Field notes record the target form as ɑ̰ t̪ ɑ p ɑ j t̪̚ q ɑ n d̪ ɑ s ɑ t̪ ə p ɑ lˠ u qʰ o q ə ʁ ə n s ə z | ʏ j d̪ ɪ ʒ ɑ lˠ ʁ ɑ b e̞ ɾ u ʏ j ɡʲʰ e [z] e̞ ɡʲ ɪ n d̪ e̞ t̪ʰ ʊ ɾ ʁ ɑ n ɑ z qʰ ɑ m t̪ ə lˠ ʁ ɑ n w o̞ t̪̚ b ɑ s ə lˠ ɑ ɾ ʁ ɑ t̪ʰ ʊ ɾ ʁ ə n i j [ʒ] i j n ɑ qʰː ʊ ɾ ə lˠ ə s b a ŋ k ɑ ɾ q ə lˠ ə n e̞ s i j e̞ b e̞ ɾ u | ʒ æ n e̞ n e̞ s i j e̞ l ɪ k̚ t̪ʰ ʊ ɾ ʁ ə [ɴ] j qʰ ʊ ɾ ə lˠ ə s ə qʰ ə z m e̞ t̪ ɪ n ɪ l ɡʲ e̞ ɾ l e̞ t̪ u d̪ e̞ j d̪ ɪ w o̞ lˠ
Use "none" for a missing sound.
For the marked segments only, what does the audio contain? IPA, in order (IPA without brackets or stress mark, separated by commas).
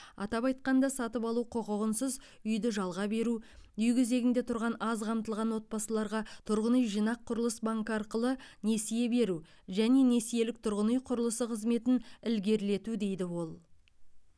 z, ʒ, n